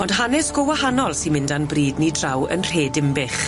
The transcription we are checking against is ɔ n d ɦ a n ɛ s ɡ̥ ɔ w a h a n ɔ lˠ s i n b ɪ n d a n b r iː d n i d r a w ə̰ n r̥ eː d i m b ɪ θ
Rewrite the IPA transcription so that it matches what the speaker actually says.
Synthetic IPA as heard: ɔ n d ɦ a n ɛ s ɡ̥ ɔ w a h a n ɔ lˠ s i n m ɪ n d a n b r iː d n i d r a w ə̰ n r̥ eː d ɪ m b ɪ χ